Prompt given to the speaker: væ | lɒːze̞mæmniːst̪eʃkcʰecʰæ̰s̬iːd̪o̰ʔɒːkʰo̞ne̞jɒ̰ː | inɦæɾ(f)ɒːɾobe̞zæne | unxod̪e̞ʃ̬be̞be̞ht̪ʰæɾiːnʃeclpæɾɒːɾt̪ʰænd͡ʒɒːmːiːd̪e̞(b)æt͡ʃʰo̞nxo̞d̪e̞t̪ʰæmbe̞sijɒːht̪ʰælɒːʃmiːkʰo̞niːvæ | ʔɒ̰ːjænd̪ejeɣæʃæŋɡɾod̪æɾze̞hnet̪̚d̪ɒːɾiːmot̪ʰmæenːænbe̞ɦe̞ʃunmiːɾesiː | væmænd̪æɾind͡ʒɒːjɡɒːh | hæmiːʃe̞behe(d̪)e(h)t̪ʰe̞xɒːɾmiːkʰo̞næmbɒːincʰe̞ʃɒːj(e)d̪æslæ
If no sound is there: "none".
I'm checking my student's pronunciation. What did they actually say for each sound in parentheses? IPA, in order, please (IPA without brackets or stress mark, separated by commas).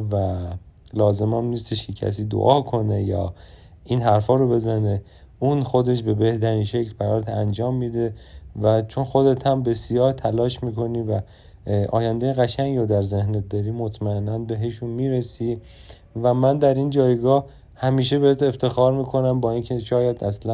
f, v, t̪, f, æ